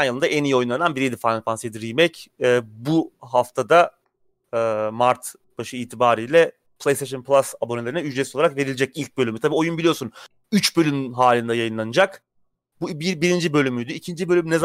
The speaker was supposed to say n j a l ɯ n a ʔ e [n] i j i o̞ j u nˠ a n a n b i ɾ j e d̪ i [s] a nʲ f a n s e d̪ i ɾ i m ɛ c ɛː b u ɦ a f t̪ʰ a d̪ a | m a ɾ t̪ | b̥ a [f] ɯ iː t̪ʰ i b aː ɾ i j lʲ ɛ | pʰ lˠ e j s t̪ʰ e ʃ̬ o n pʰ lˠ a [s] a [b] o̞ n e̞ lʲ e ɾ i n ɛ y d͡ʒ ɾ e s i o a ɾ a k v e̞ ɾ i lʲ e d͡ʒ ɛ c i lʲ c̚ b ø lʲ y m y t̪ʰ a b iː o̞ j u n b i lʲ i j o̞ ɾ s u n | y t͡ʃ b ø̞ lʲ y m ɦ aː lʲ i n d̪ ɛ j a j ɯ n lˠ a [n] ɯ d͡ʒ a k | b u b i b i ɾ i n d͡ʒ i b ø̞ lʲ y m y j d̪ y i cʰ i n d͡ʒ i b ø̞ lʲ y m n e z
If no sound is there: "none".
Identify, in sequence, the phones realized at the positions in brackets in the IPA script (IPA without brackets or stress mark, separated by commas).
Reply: n, f, ʃ, s, b, n